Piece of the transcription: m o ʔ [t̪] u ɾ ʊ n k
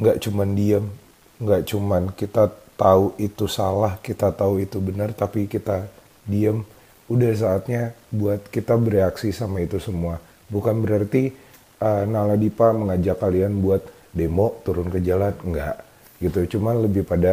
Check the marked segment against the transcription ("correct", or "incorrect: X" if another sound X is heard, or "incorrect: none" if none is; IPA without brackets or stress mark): correct